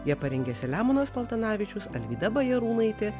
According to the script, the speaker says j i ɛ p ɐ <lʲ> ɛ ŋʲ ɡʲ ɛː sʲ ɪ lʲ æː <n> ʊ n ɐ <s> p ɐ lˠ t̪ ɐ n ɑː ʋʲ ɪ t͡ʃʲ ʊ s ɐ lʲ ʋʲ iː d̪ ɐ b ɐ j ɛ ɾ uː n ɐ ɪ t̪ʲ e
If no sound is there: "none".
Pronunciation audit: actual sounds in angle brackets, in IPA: ɾʲ, m, s

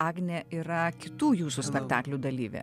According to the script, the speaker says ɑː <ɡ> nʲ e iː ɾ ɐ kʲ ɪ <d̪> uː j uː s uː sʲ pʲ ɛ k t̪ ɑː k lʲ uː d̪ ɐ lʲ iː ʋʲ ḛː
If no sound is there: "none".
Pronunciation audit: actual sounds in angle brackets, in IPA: ɡ, t̪

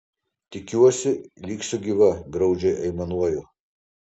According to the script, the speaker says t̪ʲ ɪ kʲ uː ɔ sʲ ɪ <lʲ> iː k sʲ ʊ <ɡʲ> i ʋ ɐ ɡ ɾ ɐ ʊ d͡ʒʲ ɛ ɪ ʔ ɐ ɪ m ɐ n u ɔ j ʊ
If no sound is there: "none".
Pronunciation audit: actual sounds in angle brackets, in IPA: lʲ, ɡʲ

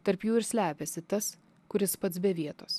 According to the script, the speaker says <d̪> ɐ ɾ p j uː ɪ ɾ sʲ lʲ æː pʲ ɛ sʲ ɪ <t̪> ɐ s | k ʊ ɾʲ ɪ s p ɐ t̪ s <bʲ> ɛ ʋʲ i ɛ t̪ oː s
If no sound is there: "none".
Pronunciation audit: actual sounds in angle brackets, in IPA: t̪, t̪, bʲ

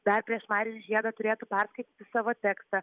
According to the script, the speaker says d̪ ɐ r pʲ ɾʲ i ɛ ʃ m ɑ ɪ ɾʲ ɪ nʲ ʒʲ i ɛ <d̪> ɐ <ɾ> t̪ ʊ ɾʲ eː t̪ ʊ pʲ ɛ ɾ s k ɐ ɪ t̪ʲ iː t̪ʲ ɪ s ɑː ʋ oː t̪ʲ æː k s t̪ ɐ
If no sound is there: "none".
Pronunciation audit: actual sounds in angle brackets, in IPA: d̪, none

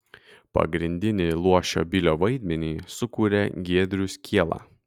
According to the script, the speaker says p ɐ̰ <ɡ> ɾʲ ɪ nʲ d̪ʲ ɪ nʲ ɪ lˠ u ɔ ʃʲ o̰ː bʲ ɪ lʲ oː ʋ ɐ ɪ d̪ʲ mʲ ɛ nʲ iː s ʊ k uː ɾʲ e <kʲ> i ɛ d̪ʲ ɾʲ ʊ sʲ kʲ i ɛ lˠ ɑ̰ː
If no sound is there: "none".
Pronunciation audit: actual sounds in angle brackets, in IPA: ɡ, ɡʲ

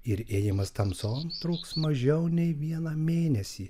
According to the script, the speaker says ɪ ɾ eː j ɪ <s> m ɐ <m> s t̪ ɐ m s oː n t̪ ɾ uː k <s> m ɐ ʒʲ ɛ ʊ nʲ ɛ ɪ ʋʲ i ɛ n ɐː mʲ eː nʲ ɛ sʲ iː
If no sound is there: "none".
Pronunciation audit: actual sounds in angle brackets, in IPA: none, none, s

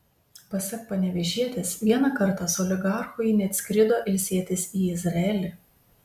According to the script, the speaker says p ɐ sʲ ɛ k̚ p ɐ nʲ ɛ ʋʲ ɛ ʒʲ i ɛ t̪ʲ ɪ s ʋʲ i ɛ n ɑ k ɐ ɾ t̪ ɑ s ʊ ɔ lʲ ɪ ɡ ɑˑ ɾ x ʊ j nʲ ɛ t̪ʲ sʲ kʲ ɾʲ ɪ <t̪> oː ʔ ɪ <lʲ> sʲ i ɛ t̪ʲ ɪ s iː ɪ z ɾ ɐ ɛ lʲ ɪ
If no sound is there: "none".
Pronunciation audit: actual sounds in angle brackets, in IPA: d̪, lʲ

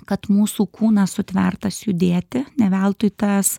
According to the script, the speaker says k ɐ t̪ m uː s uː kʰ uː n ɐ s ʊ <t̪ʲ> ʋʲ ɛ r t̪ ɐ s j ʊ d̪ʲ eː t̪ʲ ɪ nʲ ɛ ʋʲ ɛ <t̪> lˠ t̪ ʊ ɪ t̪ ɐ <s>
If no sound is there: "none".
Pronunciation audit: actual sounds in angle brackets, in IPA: t̪ʲ, none, s

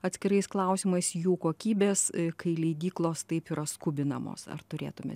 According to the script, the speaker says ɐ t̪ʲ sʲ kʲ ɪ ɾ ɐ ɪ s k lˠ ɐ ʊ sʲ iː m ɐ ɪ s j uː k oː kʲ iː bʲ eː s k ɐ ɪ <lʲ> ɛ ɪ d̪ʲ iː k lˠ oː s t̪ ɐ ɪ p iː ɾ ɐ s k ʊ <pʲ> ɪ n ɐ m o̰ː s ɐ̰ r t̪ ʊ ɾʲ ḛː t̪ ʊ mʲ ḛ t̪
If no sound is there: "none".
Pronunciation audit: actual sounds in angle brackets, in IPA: lʲ, bʲ

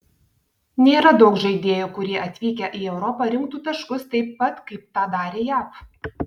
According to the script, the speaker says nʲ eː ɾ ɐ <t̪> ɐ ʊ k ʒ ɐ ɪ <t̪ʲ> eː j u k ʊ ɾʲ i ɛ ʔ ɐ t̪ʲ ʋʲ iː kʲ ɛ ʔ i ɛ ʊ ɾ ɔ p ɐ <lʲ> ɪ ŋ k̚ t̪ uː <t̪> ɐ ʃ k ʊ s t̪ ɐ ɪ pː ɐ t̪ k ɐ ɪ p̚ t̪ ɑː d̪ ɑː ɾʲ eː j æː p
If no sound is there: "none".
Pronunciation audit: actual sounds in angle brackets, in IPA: d̪, d̪ʲ, ɾʲ, t̪

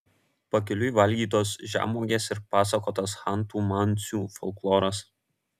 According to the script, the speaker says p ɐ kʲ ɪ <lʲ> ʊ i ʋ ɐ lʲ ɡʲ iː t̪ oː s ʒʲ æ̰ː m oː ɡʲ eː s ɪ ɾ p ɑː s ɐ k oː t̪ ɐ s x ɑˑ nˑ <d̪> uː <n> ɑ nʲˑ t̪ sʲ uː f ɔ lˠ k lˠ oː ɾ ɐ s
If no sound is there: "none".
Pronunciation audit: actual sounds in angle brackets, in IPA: lʲ, t̪, m

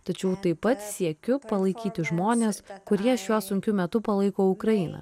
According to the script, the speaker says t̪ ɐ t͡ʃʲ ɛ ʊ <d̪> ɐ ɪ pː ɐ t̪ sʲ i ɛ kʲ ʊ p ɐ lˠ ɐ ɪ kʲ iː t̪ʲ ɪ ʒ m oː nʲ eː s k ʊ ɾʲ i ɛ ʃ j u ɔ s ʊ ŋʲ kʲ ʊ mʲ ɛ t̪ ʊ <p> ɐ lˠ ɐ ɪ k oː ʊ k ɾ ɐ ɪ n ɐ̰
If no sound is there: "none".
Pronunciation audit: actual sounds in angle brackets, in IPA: t̪, p

